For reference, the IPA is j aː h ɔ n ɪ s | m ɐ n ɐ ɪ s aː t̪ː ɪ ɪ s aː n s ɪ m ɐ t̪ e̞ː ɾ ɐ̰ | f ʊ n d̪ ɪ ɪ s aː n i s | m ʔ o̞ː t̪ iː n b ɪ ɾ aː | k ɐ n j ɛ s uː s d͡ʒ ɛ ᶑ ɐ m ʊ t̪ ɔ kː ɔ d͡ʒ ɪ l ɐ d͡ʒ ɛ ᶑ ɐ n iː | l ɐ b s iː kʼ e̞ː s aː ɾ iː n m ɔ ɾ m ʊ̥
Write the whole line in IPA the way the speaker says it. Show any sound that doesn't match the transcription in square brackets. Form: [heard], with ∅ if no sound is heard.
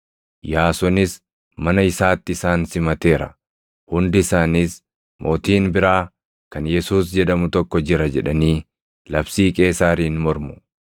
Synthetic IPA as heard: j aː [s] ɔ n ɪ s | m ɐ n ɐ ɪ s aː t̪ː ɪ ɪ s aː n s ɪ m ɐ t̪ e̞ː ɾ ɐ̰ | [h] ʊ n d̪ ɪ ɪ s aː n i s | m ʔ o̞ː t̪ iː n b ɪ ɾ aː | k ɐ n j ɛ s uː s d͡ʒ ɛ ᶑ ɐ m ʊ t̪ ɔ kː ɔ d͡ʒ ɪ [ɾ] ɐ d͡ʒ ɛ ᶑ ɐ n iː | l ɐ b s iː kʼ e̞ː s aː ɾ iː n m ɔ ɾ m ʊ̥